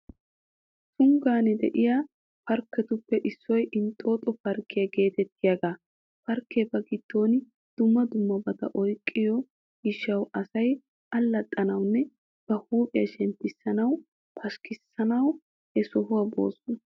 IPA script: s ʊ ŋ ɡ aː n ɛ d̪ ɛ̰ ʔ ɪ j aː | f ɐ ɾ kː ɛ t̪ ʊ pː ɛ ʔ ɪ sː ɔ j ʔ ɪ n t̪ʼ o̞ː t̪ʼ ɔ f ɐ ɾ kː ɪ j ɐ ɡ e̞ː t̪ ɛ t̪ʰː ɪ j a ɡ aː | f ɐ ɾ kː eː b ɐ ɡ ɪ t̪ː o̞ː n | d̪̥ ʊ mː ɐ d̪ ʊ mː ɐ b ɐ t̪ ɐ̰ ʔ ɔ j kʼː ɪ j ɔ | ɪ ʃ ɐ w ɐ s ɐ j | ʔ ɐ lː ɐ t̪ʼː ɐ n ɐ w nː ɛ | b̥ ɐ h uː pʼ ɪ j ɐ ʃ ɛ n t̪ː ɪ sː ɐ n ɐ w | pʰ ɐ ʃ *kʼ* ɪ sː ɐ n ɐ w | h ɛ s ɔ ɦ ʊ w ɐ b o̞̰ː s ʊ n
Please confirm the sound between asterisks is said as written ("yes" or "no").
no